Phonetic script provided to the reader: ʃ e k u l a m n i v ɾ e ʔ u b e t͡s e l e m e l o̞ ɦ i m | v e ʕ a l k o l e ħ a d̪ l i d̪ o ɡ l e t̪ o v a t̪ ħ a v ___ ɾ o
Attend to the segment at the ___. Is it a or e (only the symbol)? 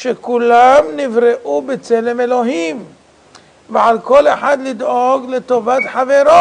e